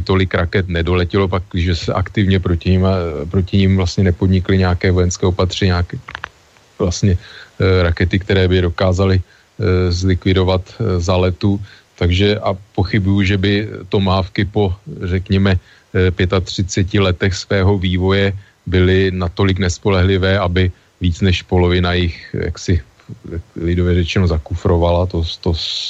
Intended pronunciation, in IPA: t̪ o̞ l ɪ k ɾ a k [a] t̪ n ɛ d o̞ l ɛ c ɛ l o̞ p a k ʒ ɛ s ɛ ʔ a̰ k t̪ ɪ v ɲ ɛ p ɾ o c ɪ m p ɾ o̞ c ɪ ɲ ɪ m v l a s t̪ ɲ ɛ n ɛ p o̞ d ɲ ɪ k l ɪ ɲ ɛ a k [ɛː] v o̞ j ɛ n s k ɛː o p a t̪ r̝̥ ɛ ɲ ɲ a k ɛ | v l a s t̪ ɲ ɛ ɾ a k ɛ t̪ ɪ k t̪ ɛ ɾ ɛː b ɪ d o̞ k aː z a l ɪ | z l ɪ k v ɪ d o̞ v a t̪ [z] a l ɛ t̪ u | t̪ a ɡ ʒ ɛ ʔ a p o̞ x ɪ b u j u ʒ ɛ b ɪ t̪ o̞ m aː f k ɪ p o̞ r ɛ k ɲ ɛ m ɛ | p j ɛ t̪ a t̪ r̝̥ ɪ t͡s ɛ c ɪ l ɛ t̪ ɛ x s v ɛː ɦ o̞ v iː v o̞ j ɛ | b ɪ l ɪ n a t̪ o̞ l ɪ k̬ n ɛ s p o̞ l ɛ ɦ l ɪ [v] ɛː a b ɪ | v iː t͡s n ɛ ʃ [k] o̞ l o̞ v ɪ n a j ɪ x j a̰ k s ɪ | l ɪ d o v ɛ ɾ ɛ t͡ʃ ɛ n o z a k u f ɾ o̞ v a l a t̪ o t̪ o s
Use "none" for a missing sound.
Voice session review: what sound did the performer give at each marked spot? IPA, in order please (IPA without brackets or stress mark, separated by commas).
ɛ, ɛː, z, v, p